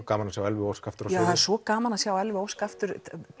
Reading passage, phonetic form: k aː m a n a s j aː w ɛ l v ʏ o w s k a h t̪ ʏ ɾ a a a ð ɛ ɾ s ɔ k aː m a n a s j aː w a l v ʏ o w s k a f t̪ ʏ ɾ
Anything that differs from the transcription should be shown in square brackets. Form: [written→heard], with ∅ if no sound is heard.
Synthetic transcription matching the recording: k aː m a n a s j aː w ɛ l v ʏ o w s k a [h→f] t̪ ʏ ɾ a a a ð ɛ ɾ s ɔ k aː m a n a s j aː w [a→ɛ] l v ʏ o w s k a f t̪ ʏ ɾ